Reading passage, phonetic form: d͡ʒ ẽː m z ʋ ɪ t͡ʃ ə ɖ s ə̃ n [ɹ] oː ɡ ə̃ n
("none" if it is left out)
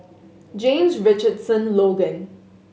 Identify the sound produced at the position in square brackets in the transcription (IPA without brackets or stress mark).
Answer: l